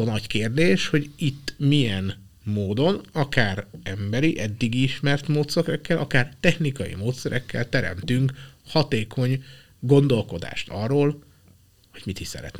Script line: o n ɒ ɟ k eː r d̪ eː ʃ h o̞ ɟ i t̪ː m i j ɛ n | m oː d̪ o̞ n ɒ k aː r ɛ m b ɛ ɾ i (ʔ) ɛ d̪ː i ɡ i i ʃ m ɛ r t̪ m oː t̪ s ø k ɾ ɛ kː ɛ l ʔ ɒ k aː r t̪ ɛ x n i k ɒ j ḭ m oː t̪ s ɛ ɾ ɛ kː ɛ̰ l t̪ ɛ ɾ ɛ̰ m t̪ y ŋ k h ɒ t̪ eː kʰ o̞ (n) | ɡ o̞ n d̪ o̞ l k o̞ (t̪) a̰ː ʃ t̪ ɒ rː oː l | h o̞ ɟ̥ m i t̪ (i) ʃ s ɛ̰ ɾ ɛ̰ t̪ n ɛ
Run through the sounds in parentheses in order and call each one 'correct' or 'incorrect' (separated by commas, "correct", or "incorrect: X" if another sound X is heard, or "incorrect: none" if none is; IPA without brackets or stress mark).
correct, incorrect: ɲ, incorrect: d̪, correct